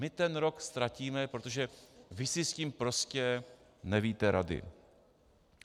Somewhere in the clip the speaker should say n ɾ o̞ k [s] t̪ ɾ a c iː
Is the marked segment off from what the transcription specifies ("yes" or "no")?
no